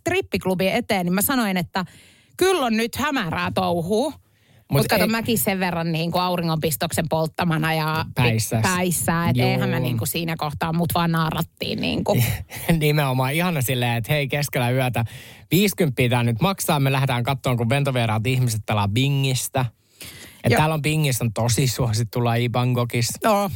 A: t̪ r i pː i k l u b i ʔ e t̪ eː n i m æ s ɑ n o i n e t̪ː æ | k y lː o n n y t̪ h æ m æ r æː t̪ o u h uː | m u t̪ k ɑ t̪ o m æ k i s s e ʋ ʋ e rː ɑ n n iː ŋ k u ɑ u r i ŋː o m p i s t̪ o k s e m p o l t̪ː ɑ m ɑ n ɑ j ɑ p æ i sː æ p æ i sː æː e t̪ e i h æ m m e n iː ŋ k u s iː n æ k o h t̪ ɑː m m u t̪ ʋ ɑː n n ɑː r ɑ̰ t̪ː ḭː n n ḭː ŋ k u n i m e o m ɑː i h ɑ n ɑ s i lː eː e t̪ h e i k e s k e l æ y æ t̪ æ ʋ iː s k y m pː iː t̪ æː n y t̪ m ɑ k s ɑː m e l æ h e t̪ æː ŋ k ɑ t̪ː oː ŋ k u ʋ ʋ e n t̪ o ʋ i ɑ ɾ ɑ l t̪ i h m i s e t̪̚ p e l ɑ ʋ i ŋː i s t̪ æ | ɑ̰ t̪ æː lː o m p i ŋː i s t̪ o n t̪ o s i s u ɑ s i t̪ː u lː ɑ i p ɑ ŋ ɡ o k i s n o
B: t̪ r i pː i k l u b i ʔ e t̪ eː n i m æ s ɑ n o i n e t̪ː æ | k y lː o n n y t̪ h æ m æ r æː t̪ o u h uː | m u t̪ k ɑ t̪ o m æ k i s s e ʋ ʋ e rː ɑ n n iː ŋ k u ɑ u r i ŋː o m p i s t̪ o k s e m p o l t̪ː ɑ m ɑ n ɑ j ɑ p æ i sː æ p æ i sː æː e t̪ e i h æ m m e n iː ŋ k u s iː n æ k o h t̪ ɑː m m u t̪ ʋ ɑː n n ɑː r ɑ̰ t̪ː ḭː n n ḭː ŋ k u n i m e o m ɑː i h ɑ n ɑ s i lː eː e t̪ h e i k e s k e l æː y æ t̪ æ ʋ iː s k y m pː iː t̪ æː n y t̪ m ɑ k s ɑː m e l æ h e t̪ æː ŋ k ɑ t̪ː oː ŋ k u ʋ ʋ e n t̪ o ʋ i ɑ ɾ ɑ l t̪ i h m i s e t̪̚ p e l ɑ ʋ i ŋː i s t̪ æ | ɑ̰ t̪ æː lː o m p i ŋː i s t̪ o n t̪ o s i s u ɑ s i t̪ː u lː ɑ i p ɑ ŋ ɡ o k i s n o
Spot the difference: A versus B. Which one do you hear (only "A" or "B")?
A